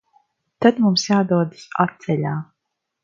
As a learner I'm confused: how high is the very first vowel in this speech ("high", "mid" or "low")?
low